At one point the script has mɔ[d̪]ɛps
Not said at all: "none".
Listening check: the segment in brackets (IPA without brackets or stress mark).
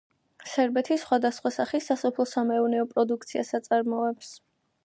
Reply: none